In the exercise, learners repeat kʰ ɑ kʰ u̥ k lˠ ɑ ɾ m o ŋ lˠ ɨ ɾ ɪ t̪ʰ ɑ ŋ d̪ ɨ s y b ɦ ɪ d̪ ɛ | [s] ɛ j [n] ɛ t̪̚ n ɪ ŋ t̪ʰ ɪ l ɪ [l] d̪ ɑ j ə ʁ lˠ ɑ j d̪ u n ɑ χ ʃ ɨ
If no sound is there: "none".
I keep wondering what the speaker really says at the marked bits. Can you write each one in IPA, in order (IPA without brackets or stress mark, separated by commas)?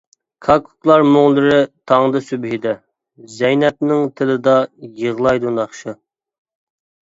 z, n, none